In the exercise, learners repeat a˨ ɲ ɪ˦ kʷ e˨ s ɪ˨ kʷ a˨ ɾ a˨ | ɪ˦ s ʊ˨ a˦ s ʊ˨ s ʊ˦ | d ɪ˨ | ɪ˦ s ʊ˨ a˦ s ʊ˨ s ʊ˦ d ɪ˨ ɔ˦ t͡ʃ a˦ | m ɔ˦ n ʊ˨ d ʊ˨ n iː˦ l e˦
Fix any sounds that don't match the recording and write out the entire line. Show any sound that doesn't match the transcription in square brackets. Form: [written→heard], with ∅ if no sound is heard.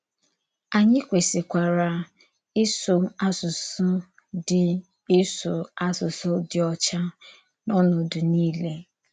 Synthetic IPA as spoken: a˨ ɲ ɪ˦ kʷ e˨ s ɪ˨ kʷ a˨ ɾ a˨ | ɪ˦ s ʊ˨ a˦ s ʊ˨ s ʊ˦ | d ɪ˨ | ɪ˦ s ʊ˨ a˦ s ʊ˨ s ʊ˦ d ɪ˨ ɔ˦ t͡ʃ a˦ | [m→n] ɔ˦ n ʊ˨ d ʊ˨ n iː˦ l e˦

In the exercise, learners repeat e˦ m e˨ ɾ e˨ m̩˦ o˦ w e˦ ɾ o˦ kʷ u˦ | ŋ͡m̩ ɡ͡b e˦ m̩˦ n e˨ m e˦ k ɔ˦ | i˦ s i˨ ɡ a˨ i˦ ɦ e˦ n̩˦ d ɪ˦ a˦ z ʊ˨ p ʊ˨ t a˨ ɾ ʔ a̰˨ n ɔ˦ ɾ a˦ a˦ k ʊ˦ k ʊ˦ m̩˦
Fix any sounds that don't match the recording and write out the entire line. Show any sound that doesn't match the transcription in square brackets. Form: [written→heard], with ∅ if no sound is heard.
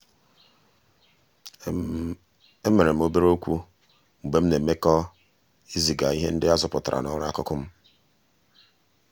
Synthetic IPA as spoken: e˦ m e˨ ɾ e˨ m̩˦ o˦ [w→b] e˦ ɾ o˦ kʷ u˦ | ŋ͡m̩ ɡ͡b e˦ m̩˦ n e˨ m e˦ k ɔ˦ | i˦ [s→z] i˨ ɡ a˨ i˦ ɦ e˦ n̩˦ d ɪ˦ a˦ z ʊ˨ p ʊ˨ t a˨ ɾ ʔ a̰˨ n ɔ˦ ɾ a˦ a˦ k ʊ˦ k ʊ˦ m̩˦

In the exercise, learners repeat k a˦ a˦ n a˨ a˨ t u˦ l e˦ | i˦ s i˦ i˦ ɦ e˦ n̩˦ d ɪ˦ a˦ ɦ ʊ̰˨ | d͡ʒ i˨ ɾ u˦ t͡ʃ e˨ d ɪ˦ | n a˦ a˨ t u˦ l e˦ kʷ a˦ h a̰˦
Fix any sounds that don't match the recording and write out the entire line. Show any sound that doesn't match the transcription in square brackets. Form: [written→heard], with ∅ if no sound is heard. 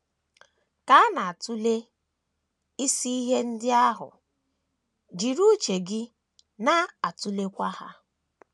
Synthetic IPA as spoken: k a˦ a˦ n a˨ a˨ t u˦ l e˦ | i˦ s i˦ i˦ ɦ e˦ n̩˦ d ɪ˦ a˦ ɦ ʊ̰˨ | d͡ʒ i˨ ɾ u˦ t͡ʃ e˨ [d→ɡ] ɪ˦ | n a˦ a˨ t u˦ l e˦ kʷ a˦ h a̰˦

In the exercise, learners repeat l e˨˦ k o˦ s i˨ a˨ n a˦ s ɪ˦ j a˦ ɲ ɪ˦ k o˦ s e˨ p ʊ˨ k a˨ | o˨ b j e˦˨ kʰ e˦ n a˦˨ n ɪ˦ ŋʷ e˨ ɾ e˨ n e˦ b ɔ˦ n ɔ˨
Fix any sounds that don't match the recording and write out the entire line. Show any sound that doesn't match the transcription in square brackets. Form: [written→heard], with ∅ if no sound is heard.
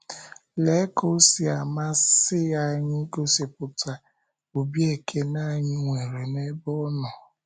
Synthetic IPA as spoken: l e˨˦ k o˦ s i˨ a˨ [n→m] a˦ s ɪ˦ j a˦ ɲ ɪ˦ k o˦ s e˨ p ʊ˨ [k→t] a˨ | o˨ b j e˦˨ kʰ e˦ n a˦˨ [n→ɲ] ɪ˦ ŋʷ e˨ ɾ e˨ n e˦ b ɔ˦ n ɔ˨

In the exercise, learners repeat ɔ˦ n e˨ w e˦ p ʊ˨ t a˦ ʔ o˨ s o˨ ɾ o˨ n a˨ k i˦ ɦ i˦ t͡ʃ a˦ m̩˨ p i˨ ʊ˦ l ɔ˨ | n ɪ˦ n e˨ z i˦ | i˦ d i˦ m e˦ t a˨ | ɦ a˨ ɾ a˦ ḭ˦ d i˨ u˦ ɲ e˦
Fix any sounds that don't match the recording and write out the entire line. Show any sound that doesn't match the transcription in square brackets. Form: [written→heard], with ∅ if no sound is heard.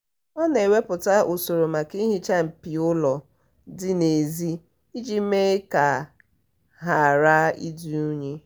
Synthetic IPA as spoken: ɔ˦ n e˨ w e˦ p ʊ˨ t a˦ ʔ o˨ s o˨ ɾ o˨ [n→m] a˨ k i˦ ɦ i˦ t͡ʃ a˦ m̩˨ p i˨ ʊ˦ l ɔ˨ | [n→d] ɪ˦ n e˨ z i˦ | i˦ [d→d͡ʒ] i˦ m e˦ [t→k] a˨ | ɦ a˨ ɾ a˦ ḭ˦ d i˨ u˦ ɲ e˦

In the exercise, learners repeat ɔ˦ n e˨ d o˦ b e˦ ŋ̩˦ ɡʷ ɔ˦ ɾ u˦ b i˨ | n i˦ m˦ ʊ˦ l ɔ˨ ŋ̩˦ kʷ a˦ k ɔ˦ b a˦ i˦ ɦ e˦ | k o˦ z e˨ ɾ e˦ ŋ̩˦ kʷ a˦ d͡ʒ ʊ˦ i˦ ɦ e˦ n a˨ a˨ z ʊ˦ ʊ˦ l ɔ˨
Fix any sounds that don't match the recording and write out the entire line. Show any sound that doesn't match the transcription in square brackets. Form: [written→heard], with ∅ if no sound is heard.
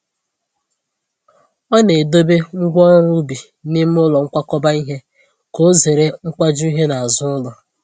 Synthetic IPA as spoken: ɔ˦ n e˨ d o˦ b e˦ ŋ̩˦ ɡʷ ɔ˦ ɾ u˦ b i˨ | n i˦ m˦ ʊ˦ l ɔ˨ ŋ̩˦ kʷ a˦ k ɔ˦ b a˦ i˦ ɦ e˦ | k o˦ z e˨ ɾ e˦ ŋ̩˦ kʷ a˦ d͡ʒ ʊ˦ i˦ ɦ e˦ n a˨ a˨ z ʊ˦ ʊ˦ l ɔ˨

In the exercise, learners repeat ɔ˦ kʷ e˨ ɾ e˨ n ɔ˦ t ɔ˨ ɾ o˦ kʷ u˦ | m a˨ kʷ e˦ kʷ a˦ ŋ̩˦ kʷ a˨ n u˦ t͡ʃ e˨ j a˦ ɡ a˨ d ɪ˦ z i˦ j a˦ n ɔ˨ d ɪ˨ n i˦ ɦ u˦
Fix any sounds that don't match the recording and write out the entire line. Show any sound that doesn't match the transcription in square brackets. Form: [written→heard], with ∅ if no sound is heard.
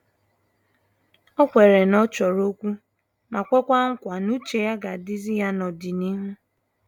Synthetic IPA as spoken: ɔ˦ kʷ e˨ ɾ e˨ n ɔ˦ [t→t͡ʃ] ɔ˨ ɾ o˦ kʷ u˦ | m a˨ kʷ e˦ kʷ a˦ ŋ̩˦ kʷ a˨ n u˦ t͡ʃ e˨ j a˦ ɡ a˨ d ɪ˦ z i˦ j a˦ n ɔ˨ d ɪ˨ n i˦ ɦ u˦

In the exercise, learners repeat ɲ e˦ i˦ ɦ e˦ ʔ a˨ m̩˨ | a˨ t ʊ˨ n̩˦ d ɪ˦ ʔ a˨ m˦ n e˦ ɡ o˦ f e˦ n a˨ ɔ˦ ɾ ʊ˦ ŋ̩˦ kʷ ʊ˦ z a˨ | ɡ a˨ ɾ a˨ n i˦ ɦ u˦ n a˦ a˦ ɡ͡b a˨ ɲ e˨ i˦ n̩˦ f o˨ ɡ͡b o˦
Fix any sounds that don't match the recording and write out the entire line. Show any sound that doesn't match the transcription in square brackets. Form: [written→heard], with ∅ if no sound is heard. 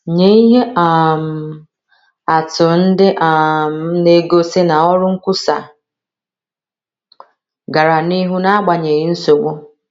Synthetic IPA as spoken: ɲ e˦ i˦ ɦ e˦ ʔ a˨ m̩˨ | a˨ t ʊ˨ n̩˦ d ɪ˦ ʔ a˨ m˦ n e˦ ɡ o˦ [f→s] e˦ n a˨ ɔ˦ ɾ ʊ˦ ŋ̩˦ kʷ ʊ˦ [z→s] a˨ | ɡ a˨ ɾ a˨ n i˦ ɦ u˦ n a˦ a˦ ɡ͡b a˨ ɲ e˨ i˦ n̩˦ [f→s] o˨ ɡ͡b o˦

